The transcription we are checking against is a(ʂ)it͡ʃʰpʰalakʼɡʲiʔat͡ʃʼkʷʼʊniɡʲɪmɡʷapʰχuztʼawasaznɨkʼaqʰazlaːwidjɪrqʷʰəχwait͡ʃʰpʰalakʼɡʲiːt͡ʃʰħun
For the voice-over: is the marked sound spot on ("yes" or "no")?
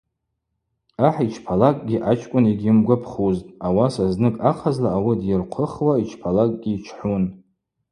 no